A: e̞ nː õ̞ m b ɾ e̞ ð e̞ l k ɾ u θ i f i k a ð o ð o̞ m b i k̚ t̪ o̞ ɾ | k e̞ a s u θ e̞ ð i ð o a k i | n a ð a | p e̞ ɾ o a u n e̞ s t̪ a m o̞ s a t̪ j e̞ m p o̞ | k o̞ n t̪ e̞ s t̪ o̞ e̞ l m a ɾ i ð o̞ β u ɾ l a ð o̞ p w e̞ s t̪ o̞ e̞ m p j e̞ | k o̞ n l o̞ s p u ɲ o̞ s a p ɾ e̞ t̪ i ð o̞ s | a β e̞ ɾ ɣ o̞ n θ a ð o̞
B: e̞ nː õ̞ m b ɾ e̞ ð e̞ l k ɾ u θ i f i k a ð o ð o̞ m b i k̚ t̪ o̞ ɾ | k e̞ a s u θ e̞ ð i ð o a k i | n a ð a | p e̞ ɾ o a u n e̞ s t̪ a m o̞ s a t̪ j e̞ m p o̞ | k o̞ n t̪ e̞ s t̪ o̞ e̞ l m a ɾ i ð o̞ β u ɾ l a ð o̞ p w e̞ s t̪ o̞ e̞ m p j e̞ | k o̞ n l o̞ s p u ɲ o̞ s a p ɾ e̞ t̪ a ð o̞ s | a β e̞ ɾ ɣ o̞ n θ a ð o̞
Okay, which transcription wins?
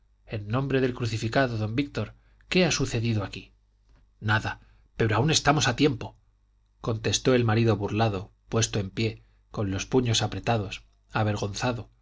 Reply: B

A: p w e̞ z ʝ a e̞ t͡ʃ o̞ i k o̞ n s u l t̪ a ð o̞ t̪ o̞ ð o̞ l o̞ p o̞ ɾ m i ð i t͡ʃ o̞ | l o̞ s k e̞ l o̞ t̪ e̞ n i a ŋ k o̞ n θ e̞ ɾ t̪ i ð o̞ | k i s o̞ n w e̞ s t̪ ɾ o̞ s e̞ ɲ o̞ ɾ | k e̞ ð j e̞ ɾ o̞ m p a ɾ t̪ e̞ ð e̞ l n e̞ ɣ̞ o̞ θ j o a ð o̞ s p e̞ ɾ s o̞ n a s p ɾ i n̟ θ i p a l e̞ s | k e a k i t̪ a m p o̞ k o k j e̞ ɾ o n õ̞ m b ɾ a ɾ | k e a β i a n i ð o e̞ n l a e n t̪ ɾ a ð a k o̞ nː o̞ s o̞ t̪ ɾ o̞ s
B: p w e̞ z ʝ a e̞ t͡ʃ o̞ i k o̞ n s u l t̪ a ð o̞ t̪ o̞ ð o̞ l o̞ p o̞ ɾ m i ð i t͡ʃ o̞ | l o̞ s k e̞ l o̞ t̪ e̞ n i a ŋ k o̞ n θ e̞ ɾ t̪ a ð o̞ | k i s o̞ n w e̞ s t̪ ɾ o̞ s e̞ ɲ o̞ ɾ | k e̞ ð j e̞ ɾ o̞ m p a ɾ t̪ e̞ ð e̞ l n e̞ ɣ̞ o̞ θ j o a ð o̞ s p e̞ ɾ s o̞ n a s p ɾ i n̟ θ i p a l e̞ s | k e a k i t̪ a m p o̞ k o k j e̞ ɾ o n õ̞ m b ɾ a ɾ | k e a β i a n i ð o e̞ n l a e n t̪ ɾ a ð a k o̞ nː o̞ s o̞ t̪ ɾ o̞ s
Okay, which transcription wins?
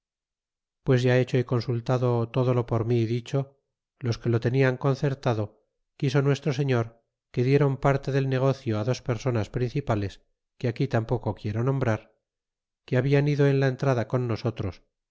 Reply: B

